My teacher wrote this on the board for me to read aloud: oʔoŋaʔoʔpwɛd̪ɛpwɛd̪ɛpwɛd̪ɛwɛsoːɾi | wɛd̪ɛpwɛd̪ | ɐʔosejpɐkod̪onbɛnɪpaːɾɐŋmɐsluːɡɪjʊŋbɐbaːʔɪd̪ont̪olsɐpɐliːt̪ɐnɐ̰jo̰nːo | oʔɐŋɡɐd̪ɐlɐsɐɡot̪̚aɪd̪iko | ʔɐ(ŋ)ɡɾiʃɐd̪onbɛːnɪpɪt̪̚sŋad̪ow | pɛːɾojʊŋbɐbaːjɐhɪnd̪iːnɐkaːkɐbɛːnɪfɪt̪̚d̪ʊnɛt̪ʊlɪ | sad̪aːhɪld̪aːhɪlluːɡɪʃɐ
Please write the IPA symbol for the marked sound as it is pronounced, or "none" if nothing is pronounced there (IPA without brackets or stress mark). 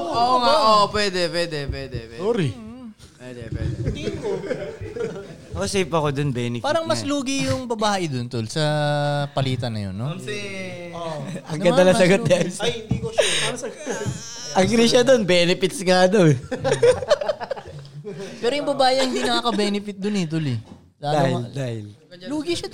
ŋ